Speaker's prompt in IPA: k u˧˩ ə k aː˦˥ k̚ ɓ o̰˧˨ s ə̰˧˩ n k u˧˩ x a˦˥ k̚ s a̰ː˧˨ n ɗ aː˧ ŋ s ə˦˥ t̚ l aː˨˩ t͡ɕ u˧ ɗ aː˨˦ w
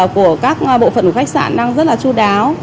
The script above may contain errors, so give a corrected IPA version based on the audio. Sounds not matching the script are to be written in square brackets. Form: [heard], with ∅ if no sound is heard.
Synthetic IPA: k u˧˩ ə k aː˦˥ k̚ ɓ o̰˧˨ [f] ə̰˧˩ n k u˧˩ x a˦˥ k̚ s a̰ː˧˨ n ɗ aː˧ ŋ [z] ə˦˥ t̚ l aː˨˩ t͡ɕ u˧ ɗ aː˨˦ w